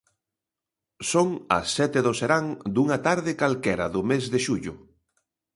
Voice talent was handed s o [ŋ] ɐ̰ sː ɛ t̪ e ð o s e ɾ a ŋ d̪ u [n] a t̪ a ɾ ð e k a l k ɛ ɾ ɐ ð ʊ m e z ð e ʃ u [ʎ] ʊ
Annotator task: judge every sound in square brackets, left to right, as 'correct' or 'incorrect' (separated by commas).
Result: correct, incorrect, correct